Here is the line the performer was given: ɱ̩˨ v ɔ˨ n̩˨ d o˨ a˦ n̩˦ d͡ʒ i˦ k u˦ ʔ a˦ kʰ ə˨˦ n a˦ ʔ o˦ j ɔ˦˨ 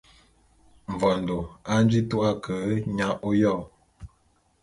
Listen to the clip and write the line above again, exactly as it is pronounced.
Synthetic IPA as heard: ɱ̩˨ v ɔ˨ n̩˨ d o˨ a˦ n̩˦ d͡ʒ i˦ t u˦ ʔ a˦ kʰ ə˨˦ ɲ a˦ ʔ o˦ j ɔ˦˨